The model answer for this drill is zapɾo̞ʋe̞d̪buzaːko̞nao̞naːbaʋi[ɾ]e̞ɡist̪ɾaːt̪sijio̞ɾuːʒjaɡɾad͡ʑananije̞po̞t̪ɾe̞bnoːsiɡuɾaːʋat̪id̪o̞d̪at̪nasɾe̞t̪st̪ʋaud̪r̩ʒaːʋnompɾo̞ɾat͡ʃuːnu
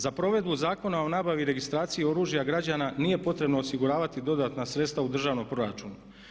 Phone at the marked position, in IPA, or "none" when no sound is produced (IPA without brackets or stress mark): ɾ